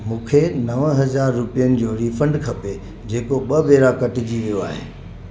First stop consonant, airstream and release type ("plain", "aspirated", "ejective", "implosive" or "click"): aspirated